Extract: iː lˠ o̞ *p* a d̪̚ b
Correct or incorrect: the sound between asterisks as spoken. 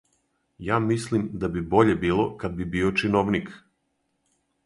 incorrect: k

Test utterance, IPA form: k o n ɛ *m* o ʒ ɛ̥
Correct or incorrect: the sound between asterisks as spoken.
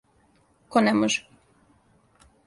correct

